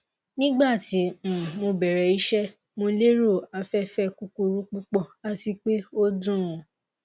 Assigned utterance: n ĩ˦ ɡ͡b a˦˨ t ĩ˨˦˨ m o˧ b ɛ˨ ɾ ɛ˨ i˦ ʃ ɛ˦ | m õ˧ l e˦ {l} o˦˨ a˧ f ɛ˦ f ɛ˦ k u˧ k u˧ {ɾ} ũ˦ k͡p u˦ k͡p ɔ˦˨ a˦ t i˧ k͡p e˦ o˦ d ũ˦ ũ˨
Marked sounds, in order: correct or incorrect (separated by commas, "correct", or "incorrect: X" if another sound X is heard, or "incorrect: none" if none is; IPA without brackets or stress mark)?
incorrect: ɾ, correct